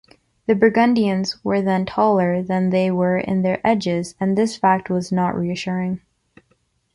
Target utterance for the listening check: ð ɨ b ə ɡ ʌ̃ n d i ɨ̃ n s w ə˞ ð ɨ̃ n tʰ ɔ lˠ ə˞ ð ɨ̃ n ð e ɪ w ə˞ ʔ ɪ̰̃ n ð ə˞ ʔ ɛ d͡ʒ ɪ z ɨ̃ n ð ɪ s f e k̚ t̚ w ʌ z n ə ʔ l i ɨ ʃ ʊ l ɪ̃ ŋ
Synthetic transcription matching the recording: ð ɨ b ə ɡ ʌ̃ n d i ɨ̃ n z w ə˞ ð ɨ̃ n tʰ ɔ lˠ ə˞ ð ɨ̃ n ð e ɪ w ə˞ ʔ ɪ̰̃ n ð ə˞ ʔ ɛ d͡ʒ ɪ z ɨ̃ n ð ɪ s f æ k̚ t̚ w ʌ z n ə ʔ ɹ i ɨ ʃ ʊ ɹ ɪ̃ ŋ